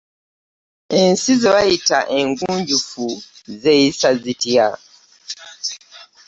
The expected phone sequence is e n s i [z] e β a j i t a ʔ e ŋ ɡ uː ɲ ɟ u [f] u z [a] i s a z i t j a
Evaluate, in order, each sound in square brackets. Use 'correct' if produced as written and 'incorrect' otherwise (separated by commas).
correct, correct, incorrect